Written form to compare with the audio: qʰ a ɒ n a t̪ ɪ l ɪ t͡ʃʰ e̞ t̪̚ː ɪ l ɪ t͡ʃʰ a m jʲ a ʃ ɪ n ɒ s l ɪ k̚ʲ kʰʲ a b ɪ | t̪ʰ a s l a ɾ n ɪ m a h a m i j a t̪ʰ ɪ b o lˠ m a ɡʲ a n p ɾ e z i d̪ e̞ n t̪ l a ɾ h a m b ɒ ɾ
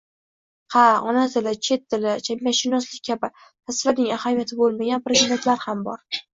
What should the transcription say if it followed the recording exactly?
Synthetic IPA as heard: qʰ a ɒ n a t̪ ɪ l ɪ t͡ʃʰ e̞ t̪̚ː ɪ l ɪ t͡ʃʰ a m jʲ a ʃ ɪ n ɒ s l ɪ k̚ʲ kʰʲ a b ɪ | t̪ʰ a s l a ɾ n ɪ ŋ a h a m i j a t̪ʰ ɪ b o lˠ m a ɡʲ a n p ɾ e z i d̪ e̞ n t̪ l a ɾ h a m b ɒ ɾ